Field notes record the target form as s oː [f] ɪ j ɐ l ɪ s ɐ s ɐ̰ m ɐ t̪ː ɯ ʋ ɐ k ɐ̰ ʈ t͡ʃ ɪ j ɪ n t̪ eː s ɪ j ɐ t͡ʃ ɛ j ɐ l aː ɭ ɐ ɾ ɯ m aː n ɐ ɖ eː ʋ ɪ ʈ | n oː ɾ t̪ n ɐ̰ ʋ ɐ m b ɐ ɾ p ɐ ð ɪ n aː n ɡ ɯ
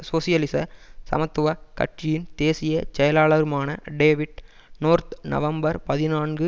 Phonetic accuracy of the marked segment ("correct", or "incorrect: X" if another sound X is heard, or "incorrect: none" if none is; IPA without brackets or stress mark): incorrect: s